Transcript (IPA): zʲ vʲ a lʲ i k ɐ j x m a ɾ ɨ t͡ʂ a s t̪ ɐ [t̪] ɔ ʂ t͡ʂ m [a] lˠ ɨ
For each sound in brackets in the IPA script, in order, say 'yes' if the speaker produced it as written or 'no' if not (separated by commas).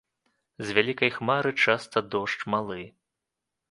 no, yes